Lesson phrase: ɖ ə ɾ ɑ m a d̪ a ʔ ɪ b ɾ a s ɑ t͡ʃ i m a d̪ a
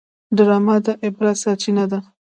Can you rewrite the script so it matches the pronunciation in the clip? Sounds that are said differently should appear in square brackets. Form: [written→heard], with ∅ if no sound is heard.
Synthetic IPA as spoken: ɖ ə ɾ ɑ m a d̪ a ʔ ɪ b ɾ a s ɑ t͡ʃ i [m→n] a d̪ a